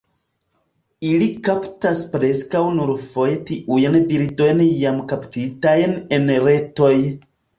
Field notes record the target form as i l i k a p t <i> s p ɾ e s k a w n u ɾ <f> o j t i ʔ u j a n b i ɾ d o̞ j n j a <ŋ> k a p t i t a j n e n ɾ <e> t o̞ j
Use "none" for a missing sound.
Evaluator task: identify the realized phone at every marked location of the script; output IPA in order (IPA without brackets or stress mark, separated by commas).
a, f, m, e